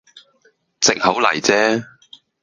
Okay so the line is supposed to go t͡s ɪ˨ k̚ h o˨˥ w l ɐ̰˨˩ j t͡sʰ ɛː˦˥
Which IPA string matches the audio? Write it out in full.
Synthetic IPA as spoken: t͡s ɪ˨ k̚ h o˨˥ w l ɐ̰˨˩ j t͡s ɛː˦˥